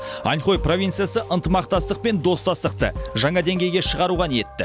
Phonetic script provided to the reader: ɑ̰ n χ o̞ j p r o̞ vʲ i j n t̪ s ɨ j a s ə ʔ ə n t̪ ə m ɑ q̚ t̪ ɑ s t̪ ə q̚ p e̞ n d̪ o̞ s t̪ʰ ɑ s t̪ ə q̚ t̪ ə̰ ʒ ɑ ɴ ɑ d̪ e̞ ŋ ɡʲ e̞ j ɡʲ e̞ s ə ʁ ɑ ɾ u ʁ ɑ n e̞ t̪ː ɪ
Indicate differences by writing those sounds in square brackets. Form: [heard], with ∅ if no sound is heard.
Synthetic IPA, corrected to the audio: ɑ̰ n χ o̞ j p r o̞ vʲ i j n t̪ s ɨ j a s ə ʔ ə n t̪ ə m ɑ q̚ t̪ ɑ s t̪ ə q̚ p e̞ n d̪ o̞ s [t̪] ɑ s t̪ ə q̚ t̪ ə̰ ʒ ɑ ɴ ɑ d̪ e̞ ŋ ɡʲ e̞ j ɡʲ e̞ [ʃ] ə ʁ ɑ ɾ u ʁ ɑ n e̞ t̪ː ɪ